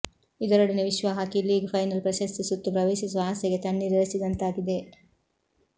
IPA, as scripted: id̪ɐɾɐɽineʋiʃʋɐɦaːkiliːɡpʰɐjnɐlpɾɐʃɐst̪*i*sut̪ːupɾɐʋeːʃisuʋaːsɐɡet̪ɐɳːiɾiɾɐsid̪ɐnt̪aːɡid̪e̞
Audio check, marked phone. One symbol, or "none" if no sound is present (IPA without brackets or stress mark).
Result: i